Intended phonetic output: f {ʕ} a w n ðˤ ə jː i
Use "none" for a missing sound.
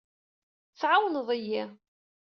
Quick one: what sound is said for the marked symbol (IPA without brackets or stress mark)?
ʕ